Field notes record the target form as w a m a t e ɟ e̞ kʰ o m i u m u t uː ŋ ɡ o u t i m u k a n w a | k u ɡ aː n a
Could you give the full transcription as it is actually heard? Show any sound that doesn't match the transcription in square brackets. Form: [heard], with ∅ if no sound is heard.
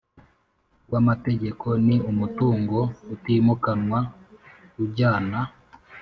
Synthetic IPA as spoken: w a m a t e ɟ e̞ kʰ o [n] i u m u t uː ŋ ɡ o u t i m u k a n w a | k u [ɟ] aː n a